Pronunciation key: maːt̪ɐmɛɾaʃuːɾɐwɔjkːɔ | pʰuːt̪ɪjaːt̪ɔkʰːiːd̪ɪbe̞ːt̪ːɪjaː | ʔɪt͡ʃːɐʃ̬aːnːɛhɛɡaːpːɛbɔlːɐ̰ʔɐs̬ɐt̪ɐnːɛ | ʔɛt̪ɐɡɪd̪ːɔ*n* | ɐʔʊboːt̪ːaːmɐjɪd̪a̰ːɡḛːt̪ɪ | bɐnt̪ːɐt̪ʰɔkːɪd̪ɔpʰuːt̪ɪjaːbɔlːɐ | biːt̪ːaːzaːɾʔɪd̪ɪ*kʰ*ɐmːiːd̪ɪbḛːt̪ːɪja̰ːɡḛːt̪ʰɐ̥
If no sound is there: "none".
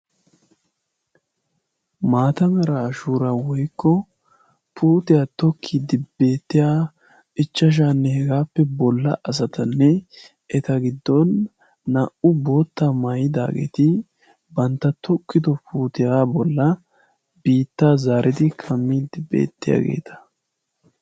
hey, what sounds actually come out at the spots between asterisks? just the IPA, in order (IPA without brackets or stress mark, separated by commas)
nː, kʰ